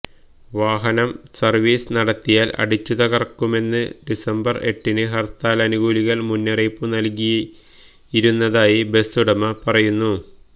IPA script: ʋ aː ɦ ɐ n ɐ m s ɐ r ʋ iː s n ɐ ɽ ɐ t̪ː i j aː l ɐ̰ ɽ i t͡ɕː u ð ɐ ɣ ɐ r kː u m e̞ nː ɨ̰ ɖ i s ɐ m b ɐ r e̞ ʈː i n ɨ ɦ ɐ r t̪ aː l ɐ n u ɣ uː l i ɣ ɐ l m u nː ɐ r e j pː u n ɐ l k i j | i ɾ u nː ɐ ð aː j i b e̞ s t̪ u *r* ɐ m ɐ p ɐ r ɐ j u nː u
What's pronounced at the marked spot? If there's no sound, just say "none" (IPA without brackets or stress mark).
ɽ